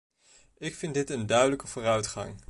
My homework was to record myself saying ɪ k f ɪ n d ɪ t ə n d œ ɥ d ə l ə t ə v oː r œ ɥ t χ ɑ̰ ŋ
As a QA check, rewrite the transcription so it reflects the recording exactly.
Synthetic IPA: ɪ k f ɪ n d ɪ t ə n d œ ɥ d ə l ə k ə v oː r œ ɥ t χ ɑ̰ ŋ